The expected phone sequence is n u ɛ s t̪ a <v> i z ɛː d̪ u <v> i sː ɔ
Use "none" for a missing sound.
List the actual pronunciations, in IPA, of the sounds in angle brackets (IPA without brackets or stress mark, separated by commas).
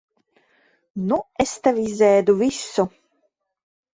v, v